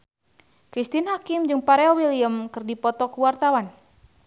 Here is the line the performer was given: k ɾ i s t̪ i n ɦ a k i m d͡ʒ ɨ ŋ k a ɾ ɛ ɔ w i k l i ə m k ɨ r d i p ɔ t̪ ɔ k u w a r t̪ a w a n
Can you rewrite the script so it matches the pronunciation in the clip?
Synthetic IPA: k ɾ i s t̪ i n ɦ a k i m d͡ʒ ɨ ŋ p a ɾ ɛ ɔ w i l i ə m k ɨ r d i p ɔ t̪ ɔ k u w a r t̪ a w a n